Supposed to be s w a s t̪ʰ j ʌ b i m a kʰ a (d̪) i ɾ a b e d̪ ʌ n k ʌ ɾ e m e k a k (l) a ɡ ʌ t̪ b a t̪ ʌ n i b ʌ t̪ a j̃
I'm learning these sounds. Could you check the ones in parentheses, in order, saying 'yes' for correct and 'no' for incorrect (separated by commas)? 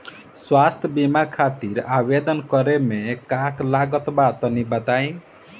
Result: no, yes